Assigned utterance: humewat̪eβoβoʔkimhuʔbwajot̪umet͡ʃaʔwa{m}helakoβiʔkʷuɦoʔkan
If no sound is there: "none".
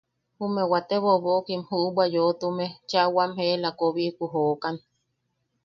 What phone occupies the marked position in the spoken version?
m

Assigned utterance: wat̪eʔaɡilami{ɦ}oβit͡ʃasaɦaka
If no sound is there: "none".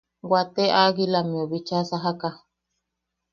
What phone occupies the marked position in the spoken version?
none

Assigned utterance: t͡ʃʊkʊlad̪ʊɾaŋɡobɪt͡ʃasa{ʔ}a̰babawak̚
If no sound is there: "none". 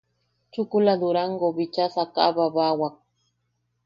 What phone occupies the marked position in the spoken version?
k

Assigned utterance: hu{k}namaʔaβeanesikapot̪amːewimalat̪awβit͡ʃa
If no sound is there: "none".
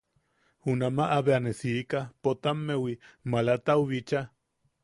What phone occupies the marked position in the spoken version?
none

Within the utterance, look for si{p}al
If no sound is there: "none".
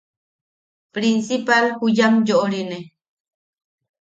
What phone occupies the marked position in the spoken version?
p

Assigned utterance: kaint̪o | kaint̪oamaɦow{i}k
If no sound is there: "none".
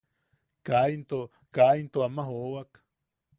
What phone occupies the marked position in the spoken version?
a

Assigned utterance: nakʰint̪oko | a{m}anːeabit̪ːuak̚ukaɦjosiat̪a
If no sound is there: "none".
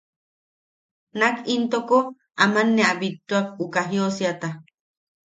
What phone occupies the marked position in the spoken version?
m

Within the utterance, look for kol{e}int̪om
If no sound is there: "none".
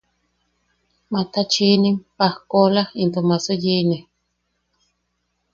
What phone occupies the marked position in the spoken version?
a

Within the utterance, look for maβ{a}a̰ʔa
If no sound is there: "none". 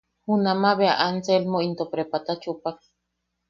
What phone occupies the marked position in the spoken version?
e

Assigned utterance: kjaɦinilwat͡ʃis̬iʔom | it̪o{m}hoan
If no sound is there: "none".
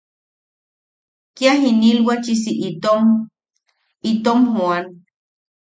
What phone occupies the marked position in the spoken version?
m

